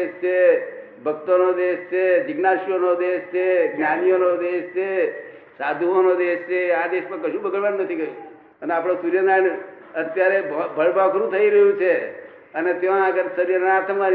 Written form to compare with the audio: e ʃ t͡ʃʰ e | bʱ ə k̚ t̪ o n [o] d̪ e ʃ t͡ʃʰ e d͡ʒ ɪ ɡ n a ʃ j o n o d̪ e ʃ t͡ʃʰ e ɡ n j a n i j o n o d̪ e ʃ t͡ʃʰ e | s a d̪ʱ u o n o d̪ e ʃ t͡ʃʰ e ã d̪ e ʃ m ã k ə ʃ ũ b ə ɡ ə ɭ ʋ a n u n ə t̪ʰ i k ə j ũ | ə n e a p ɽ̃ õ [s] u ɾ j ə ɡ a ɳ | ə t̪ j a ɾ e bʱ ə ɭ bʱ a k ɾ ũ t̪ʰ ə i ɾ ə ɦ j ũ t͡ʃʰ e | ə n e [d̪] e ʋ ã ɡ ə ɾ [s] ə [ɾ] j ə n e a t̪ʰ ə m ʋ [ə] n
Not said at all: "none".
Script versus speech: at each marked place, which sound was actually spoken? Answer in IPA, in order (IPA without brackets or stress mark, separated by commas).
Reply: o, s, t̪, s, ɾ, a